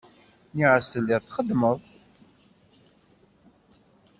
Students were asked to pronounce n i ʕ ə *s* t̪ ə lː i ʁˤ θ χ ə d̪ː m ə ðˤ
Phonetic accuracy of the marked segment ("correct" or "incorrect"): correct